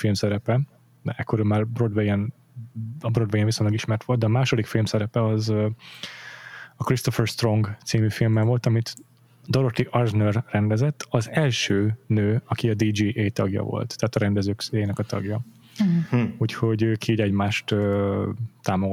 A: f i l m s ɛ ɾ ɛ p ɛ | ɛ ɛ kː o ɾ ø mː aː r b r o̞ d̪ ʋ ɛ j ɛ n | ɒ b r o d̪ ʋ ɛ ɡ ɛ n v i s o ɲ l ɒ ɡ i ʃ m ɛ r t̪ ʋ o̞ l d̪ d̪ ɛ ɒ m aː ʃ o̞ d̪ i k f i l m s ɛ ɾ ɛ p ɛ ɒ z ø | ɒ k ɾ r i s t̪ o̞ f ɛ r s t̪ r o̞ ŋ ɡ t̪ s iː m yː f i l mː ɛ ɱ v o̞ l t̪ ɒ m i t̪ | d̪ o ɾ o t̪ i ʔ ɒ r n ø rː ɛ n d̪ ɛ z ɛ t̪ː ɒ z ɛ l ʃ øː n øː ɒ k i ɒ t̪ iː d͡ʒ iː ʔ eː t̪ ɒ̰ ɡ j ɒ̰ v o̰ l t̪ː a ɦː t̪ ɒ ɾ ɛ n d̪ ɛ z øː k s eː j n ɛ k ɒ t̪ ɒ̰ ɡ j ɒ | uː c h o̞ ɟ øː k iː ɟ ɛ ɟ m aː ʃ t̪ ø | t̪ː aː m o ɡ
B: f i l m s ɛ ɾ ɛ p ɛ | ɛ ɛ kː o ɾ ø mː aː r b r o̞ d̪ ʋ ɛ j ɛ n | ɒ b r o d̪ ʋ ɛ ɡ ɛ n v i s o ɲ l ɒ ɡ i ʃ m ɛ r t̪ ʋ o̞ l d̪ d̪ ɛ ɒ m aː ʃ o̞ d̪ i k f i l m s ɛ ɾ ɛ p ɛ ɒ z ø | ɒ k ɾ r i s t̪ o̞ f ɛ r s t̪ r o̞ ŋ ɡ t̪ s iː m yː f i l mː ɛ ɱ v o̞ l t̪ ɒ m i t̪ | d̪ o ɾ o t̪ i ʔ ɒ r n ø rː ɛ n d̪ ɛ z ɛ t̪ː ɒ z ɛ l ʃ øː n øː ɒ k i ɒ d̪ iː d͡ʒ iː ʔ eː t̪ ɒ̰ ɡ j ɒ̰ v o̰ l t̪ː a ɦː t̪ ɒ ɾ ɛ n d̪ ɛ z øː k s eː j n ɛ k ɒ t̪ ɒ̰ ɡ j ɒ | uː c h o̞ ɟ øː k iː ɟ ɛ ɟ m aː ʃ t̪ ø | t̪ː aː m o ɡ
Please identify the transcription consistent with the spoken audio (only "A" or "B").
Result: B